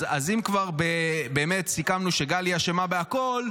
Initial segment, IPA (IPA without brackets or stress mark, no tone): a